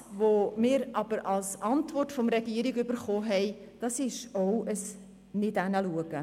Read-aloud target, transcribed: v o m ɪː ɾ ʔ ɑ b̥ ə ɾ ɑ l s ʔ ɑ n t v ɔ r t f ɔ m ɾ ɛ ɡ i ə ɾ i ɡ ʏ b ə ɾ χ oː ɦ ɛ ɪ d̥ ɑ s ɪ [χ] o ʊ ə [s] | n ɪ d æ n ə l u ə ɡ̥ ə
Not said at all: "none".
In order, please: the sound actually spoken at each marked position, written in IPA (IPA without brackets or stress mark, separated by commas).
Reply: ʃ, s